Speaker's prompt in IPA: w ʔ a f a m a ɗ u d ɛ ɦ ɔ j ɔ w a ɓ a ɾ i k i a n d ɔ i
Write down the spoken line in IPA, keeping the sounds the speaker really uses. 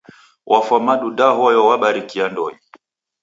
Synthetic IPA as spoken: w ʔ a f a m a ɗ u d a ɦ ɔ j ɔ w a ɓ a ɾ i k i a n d ɔ i